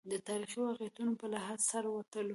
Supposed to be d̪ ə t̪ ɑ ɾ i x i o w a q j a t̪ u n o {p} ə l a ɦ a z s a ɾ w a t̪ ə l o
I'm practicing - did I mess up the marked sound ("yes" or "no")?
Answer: no